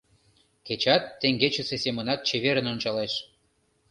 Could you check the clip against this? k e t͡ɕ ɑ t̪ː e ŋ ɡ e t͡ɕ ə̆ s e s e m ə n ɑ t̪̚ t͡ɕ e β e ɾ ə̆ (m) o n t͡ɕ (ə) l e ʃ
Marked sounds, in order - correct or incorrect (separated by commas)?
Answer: incorrect, incorrect